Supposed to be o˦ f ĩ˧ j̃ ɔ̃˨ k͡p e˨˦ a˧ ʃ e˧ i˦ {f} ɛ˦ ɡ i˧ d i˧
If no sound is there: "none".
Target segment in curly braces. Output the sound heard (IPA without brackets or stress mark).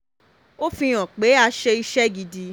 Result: ʃ